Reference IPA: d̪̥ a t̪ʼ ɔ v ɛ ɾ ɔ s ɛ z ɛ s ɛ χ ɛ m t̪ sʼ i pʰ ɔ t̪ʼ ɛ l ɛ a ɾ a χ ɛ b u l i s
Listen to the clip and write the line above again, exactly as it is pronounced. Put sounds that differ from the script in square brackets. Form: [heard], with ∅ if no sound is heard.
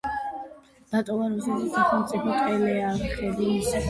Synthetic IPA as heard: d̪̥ a t̪ʼ ɔ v [a] ɾ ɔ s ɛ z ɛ s [a] χ ɛ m t̪ sʼ i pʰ ɔ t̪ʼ ɛ l ɛ a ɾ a χ ɛ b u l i s